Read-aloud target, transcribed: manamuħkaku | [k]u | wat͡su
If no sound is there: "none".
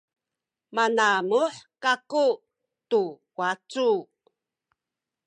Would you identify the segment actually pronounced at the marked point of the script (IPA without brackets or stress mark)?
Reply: t